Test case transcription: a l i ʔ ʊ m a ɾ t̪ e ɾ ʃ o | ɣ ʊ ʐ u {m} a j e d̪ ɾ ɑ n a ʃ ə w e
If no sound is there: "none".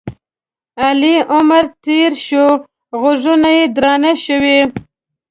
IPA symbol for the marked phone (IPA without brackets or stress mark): n